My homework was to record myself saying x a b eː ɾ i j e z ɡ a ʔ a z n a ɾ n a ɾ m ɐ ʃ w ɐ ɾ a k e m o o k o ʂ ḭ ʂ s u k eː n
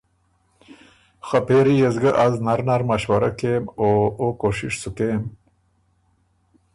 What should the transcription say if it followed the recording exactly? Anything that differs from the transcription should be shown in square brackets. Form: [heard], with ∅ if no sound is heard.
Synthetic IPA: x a [p] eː ɾ i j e z ɡ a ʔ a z n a ɾ n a ɾ m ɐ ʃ w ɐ ɾ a k e m o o k o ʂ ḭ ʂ s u k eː [m]